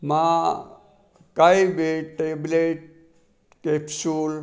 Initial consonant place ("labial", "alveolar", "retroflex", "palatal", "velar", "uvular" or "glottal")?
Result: labial